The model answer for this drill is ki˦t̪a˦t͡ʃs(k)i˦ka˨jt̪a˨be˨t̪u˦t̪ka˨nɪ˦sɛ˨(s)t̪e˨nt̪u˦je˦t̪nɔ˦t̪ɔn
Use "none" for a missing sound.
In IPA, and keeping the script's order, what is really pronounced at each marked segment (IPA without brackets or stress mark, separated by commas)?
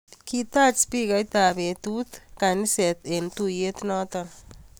p, none